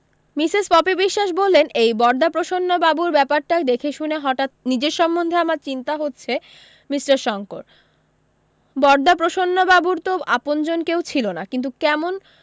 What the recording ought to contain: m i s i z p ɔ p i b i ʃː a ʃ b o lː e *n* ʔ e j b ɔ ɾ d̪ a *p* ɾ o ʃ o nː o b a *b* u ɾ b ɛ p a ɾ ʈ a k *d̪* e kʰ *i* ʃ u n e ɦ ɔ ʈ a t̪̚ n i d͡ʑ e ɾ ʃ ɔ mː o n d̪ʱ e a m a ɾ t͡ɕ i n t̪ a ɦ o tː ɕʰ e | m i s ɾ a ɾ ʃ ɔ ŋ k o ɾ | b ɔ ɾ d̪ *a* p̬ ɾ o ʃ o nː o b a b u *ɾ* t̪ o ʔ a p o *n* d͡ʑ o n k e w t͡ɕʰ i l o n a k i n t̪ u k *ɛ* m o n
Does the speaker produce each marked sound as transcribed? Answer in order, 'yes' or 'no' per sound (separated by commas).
yes, yes, yes, yes, no, yes, yes, yes, yes